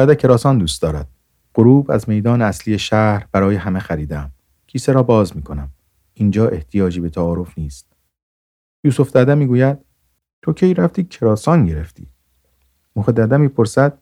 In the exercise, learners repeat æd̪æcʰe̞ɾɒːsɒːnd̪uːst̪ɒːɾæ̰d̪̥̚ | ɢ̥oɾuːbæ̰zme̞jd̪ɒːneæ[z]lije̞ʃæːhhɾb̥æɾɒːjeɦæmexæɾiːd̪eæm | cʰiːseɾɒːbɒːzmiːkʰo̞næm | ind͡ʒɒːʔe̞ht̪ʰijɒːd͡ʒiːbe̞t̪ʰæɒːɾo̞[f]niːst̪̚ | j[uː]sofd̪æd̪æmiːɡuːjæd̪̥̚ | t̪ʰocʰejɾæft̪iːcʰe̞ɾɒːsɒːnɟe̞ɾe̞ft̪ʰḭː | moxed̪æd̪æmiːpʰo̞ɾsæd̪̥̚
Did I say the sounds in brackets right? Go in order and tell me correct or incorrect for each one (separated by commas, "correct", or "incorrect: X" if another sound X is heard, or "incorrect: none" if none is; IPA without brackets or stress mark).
incorrect: s, correct, correct